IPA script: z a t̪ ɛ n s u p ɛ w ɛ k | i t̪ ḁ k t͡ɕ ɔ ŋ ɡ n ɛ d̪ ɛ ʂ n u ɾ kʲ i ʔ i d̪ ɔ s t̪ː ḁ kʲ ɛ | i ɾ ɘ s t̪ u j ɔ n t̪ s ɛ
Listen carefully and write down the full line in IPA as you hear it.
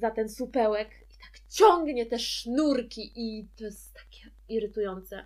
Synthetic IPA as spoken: z a t̪ ɛ n s u p ɛ w ɛ k | i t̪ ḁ k t͡ɕ ɔ ŋ ɡ ɲ ɛ t̪ ɛ ʂ n u ɾ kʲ i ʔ i t̪ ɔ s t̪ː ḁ kʲ ɛ | i ɾ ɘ t̪ u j ɔ n t̪ s ɛ